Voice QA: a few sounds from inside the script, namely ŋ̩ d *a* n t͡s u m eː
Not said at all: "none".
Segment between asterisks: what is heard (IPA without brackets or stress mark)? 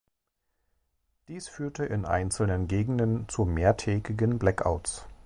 ə